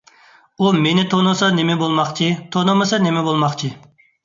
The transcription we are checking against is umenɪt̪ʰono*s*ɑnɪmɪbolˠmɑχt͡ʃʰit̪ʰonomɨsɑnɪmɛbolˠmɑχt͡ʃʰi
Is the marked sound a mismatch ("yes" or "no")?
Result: no